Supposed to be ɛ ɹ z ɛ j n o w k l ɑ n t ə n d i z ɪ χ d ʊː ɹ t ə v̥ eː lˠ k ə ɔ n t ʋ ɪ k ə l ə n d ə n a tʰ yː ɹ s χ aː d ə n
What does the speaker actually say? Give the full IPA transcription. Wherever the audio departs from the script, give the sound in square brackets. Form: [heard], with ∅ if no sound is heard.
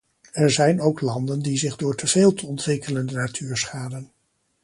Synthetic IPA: ɛ ɹ z ɛ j n o w k l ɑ n [d] ə n d i z ɪ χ d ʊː ɹ t ə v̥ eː lˠ [t] ə ɔ n t ʋ ɪ k ə l ə n d ə n a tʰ yː ɹ s χ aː d ə n